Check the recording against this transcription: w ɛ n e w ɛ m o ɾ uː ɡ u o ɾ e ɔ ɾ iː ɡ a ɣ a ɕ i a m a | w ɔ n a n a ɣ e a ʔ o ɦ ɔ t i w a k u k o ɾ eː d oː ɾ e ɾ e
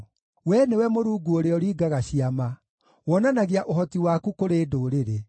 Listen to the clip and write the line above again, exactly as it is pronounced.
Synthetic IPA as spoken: w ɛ n e w ɛ m o ɾ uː ɡ u o ɾ e ɔ ɾ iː ɡ a ɣ a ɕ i a m a | w ɔ n a n a ɣ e a ʔ o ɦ ɔ t i w a k u k o ɾ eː d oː ɾ e ɾ e